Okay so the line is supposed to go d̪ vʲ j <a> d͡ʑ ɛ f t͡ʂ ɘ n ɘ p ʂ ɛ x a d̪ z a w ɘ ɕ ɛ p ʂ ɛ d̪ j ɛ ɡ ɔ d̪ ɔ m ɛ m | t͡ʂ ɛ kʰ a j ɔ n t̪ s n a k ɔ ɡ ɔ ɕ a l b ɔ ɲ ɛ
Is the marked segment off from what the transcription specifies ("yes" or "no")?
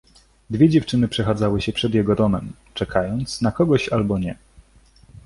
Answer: yes